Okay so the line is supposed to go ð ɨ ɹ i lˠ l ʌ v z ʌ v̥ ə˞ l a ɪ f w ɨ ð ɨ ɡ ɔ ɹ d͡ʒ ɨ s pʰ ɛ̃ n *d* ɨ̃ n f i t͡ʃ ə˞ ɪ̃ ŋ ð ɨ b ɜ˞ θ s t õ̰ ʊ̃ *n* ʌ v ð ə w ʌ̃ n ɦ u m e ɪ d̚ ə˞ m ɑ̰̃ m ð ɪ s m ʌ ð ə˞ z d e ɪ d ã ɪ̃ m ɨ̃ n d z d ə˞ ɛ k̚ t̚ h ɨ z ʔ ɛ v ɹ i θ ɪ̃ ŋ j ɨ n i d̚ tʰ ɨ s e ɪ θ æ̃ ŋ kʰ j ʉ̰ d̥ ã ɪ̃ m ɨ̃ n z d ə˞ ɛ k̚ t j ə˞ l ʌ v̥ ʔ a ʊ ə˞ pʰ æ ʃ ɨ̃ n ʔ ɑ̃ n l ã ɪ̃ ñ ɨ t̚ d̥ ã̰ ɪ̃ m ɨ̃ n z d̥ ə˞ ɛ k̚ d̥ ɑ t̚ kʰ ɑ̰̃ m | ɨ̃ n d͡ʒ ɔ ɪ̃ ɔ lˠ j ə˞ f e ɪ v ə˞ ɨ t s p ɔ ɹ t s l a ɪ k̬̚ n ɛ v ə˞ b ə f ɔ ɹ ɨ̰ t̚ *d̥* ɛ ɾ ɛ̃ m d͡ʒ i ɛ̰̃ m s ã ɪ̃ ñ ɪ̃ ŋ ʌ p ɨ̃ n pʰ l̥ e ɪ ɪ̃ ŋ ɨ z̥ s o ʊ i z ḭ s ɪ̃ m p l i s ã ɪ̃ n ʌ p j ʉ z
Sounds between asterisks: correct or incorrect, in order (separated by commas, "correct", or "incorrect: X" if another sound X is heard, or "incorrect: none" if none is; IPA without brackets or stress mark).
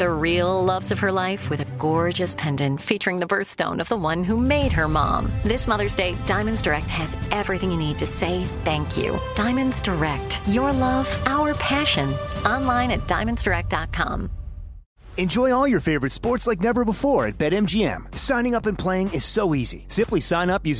correct, correct, incorrect: b̥